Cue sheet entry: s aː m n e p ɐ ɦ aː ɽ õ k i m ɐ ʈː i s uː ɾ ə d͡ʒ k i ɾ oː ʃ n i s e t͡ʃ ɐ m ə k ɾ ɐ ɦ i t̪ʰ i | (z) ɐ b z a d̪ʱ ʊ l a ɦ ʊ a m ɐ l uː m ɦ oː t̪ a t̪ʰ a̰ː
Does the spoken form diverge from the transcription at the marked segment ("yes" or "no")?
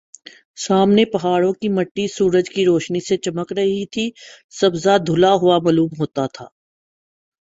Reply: yes